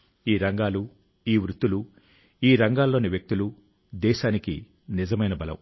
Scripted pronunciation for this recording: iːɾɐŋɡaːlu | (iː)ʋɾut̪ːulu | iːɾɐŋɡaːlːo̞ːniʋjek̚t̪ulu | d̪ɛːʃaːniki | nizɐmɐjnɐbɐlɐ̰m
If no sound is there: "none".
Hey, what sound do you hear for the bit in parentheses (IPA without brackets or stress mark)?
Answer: iː